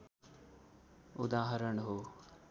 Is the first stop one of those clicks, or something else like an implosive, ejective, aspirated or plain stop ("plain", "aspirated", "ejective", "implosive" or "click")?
plain